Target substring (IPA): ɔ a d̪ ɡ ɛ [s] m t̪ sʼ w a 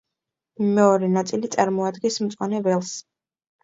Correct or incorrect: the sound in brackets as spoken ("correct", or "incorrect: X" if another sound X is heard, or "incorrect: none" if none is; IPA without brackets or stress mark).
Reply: correct